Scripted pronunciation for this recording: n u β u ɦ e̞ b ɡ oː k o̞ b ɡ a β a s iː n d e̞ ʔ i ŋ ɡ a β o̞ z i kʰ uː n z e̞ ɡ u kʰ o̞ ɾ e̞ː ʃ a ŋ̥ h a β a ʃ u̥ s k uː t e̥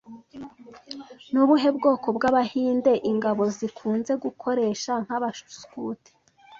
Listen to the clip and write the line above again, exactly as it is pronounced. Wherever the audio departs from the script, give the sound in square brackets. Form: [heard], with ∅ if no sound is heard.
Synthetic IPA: n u β u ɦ e̞ b ɡ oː k o̞ b ɡ a β a [h] iː n d e̞ ʔ i ŋ ɡ a β o̞ z i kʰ uː n z e̞ ɡ u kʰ o̞ ɾ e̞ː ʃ a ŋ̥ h a β a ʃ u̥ s k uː t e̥